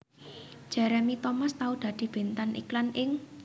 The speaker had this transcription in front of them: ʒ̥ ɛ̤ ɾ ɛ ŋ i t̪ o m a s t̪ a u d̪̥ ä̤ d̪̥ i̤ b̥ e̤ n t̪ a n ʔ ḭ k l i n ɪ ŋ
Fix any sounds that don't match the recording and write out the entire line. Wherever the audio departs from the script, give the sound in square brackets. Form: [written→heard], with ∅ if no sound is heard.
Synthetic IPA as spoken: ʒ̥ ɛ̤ ɾ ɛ [ŋ→m] i t̪ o m a s t̪ a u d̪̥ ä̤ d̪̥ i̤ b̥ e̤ n t̪ a n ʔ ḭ k l [i→a] n ɪ ŋ